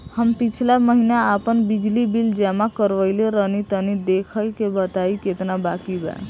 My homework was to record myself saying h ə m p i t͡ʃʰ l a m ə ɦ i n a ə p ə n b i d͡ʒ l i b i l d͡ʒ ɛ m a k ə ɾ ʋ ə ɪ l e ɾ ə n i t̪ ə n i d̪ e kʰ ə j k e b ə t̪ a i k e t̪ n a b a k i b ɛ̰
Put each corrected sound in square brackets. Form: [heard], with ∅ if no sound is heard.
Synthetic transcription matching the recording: h ə m p i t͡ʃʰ l a m ə ɦ i n a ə p ə n b i d͡ʒ l i b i l d͡ʒ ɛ m a k ə ɾ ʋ ə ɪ l e ɾ ə n i t̪ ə n i d̪ e kʰ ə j k e b ə t̪ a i k e t̪ n a b a k i b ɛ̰